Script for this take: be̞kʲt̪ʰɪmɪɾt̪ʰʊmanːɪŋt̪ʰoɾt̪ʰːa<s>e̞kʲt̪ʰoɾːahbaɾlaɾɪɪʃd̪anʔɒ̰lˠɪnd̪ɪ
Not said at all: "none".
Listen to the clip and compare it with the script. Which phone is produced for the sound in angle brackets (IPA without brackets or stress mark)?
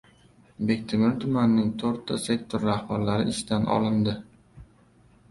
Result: s